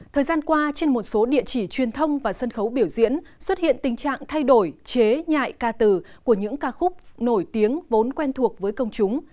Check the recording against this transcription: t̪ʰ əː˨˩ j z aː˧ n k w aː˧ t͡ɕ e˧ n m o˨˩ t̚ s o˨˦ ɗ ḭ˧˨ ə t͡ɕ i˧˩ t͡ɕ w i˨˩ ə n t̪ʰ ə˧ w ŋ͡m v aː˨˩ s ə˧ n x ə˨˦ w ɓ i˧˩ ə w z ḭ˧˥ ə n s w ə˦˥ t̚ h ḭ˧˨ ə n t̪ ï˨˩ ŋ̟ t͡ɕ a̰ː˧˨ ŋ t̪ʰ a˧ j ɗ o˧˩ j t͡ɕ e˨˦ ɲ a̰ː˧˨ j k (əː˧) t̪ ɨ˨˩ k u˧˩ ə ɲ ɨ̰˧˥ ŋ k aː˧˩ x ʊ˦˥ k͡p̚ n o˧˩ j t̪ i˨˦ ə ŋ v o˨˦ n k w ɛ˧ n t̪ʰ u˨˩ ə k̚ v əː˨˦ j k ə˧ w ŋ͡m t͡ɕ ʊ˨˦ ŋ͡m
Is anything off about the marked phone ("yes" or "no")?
yes